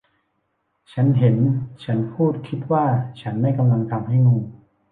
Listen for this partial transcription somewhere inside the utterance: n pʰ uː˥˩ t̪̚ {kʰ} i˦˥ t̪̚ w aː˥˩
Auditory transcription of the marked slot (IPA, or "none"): kʰ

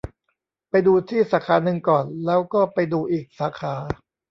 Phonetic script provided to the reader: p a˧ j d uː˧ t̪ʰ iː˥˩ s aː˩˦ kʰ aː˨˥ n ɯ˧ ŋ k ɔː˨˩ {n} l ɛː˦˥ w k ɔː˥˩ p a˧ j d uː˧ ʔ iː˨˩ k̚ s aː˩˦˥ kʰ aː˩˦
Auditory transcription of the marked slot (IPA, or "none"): n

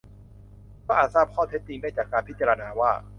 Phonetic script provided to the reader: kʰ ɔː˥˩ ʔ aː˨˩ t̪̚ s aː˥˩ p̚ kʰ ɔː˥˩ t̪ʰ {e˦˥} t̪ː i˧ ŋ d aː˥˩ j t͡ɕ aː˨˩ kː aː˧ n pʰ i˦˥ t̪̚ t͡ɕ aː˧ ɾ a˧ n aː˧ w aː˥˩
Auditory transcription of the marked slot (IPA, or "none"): e˦˥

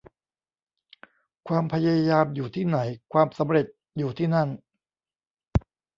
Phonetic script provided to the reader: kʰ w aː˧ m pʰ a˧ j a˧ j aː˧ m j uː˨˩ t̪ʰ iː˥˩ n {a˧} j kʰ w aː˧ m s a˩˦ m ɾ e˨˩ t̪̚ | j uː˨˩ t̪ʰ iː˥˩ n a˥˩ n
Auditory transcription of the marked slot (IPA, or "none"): a˩˦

